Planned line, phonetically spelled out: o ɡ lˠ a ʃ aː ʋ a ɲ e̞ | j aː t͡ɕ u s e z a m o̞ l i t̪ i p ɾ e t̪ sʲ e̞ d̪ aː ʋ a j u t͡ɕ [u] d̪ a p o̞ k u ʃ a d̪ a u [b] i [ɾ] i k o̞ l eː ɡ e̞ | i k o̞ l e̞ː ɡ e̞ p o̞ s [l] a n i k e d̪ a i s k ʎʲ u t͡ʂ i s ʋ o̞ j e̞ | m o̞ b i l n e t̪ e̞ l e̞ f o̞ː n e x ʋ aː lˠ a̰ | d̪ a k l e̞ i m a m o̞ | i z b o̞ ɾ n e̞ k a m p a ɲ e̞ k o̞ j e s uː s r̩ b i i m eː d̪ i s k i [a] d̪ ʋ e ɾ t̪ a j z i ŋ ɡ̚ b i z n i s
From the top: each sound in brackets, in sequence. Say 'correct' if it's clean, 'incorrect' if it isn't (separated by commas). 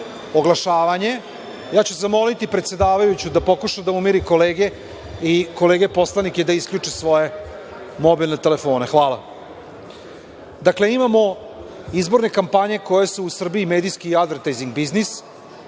correct, incorrect, correct, correct, correct